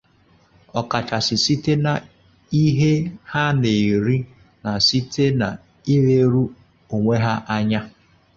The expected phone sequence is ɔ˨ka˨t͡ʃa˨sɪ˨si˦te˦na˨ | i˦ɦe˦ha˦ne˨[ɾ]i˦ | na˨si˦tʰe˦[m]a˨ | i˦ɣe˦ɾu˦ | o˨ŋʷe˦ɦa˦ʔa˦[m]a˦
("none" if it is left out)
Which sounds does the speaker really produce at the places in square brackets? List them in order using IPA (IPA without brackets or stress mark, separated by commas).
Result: ɾ, n, ɲ